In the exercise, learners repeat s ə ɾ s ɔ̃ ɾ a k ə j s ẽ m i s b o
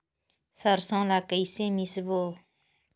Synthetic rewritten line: s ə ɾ s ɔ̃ l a k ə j s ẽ m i s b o